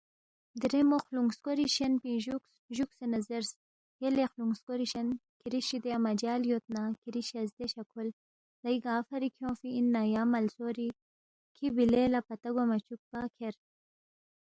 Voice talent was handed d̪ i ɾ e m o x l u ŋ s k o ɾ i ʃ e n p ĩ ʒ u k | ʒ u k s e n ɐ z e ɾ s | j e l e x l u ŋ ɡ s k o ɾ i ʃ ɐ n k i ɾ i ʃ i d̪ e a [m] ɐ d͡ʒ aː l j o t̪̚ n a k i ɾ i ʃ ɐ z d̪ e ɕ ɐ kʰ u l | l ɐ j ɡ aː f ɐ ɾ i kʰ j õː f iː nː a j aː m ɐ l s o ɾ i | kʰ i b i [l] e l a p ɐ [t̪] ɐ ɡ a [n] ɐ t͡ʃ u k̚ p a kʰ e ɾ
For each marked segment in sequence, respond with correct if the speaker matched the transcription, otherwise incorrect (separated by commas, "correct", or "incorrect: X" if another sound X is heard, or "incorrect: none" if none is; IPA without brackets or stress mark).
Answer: correct, correct, correct, incorrect: m